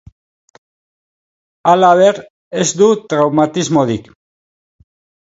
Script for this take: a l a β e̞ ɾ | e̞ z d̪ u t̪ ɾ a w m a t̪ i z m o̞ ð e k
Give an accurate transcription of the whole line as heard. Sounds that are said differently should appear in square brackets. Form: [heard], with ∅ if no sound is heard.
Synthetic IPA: a l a β e̞ ɾ | e̞ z d̪ u t̪ ɾ a w m a t̪ i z m o̞ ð [i] k